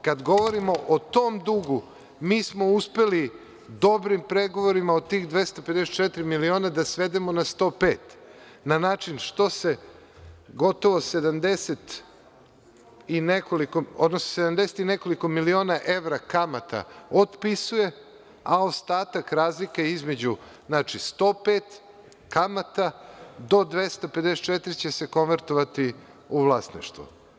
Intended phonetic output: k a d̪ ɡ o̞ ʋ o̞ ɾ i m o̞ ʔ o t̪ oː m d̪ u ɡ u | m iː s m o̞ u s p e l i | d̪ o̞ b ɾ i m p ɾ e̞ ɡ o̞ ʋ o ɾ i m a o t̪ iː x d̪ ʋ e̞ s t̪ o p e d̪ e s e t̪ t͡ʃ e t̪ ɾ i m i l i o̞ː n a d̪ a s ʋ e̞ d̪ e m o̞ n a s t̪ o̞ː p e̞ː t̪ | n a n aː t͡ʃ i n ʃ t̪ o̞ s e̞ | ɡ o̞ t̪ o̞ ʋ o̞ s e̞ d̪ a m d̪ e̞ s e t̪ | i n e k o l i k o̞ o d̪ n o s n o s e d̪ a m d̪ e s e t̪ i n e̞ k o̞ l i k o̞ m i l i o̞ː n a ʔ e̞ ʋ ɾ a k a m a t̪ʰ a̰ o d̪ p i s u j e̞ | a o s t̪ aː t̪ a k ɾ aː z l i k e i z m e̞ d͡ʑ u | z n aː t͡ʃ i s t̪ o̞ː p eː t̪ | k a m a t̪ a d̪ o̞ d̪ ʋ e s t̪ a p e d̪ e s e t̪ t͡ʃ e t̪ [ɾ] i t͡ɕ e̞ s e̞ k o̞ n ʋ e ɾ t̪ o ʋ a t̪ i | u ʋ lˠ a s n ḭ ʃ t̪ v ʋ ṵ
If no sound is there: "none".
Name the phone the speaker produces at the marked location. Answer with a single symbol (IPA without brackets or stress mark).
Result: ɾ